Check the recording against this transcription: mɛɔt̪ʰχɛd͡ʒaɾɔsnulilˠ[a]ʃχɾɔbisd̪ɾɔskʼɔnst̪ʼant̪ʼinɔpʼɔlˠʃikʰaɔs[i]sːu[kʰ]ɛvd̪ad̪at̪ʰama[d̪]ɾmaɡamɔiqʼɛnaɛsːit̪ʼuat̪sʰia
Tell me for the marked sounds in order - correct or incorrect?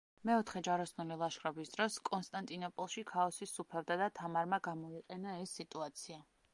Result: correct, correct, incorrect, incorrect

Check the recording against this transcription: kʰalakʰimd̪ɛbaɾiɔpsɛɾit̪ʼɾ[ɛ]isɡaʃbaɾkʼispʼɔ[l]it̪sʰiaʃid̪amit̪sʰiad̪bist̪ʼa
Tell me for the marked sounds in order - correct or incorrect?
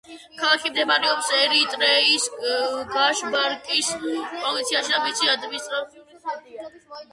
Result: correct, correct

